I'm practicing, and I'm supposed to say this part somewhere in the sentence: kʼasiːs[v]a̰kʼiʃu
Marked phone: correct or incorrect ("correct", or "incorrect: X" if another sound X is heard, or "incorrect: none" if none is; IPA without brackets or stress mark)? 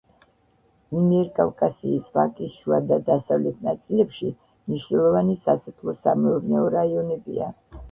correct